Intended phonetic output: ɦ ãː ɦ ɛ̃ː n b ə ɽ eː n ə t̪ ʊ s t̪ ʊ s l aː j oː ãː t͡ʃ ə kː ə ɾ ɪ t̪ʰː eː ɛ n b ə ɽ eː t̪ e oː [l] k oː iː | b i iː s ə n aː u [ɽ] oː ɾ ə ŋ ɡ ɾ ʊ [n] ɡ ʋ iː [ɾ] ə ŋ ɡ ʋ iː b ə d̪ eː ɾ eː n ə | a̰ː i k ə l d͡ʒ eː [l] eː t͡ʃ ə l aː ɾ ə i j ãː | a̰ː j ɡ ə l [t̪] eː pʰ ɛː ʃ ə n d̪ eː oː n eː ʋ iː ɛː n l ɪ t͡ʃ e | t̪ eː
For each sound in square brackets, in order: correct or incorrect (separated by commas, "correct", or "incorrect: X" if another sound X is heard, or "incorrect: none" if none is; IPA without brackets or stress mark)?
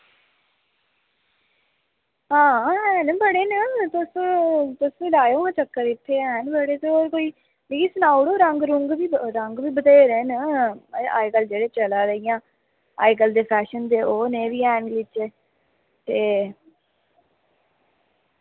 incorrect: ɾ, correct, incorrect: ŋ, correct, incorrect: ɽ, incorrect: d̪